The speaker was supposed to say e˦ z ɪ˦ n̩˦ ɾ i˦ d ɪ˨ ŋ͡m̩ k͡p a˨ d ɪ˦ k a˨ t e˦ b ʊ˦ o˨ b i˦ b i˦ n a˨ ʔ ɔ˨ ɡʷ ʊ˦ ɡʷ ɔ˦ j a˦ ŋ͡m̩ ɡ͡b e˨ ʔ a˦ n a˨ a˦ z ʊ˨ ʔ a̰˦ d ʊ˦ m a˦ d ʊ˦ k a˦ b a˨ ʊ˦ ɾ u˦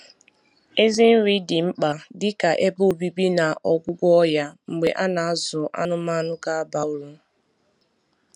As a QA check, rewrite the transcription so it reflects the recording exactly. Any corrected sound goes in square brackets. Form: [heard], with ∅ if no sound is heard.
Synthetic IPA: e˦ z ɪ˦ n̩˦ ɾ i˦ d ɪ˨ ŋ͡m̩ k͡p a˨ d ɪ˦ k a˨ [ʔ] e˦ b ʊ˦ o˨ b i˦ b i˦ n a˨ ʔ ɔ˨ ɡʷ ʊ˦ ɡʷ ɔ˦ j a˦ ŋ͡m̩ ɡ͡b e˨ ʔ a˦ n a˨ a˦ z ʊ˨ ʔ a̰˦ [n] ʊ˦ m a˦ [n] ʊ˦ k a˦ b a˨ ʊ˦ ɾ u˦